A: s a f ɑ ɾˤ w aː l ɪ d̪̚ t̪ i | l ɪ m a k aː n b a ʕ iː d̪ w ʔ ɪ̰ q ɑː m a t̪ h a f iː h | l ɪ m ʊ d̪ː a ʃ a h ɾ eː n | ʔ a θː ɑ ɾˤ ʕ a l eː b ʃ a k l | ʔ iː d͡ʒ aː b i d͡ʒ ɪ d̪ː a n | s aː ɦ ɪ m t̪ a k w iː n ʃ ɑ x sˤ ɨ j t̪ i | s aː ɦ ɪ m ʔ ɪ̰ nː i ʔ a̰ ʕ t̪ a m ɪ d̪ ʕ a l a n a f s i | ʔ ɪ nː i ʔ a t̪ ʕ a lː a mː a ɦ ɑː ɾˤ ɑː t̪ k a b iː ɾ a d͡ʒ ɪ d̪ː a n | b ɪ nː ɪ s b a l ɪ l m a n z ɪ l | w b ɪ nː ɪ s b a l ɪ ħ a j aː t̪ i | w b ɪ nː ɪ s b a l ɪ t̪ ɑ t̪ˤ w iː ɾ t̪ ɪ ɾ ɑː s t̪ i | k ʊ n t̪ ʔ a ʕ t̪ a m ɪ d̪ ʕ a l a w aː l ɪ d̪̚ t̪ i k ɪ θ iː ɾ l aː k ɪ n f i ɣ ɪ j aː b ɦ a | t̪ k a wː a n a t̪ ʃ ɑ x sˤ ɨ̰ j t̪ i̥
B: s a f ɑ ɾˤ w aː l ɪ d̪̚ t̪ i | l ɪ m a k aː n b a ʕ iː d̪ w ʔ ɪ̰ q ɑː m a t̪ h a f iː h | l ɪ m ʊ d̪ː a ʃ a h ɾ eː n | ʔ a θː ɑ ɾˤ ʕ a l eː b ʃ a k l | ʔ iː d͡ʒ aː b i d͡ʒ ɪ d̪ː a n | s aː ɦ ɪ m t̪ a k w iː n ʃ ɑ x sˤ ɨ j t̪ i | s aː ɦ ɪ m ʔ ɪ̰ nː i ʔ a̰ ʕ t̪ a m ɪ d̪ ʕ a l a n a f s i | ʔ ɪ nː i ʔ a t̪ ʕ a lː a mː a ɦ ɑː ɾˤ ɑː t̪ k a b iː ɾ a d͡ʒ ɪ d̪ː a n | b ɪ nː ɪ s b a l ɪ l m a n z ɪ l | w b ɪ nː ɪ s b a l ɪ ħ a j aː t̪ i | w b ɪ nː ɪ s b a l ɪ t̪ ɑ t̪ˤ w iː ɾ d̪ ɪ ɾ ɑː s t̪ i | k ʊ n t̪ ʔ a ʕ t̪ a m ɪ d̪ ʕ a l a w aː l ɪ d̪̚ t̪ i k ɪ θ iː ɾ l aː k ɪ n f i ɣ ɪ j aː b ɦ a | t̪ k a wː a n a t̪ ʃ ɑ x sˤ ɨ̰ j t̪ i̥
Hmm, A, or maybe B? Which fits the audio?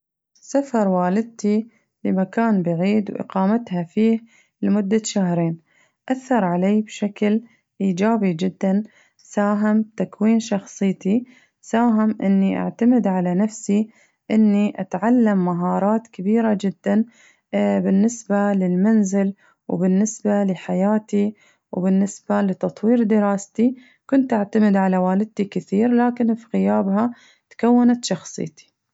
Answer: B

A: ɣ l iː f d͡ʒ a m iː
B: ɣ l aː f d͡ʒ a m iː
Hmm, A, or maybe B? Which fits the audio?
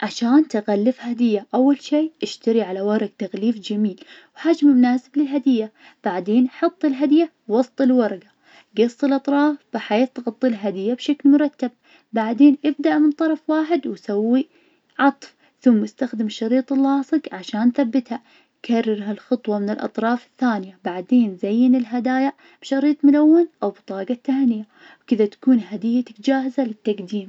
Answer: A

